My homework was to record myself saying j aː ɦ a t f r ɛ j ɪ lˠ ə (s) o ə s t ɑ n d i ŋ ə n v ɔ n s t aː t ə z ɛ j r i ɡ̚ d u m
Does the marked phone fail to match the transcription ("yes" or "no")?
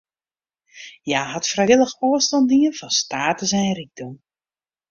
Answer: yes